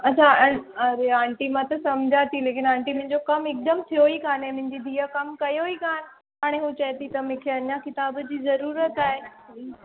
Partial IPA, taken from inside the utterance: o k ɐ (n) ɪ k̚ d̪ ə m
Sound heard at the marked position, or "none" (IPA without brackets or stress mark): m